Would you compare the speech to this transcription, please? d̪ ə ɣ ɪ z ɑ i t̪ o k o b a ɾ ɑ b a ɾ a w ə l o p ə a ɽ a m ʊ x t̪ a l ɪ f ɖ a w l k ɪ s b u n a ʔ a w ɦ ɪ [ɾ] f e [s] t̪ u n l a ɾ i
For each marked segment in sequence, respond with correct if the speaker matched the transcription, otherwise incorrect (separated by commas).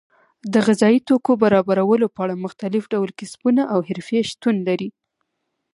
correct, incorrect